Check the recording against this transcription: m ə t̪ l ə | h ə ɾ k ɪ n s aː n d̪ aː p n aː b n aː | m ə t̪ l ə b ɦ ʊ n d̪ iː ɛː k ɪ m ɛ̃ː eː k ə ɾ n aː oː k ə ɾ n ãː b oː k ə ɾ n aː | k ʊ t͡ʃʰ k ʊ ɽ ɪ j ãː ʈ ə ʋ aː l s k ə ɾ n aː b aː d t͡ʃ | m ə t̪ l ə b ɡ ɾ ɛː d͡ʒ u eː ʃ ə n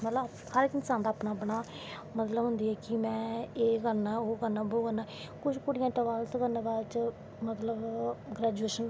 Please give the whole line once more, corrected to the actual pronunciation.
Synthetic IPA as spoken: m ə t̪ l ə | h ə ɾ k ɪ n s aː n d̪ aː p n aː b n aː | m ə t̪ l ə b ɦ ʊ n d̪ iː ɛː k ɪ m ɛ̃ː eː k ə ɾ n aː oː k ə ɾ n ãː b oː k ə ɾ n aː | k ʊ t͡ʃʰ k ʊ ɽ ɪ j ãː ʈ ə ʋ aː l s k ə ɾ n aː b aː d t͡ʃ | m ə t̪ l ə b ɡ ɾ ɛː d͡ʒ u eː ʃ ə n

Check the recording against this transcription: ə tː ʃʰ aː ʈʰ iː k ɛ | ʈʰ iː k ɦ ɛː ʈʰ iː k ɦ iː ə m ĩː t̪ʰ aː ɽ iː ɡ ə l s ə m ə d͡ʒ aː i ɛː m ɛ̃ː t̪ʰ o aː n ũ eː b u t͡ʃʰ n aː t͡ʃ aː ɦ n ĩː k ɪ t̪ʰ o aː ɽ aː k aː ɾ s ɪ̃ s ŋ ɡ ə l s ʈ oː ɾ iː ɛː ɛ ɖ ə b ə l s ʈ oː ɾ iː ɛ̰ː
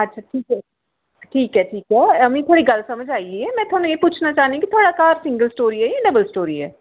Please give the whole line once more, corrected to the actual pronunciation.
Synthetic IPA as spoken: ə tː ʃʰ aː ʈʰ iː k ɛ | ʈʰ iː k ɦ ɛː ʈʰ iː k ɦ ɛː ə m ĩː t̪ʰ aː ɽ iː ɡ ə l s ə m ə d͡ʒ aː i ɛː m ɛ̃ː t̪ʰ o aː n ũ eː p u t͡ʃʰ n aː t͡ʃ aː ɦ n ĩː k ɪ t̪ʰ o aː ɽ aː k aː ɾ s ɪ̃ ŋ ɡ ə l s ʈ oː ɾ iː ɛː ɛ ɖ ə b ə l s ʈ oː ɾ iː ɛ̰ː

